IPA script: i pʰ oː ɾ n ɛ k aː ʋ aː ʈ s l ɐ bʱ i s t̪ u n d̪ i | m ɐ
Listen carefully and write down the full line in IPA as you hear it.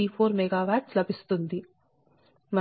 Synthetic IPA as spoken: i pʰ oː ɾ m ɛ ɡ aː ʋ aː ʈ s l ɐ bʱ i s t̪ u n d̪ i | m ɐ